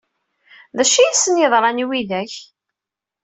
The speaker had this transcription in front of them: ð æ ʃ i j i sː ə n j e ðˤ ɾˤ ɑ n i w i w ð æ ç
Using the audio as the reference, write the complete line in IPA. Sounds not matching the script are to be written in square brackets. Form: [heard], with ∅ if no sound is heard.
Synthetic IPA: ð æ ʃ i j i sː ə n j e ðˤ ɾˤ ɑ n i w i [∅] ð æ ç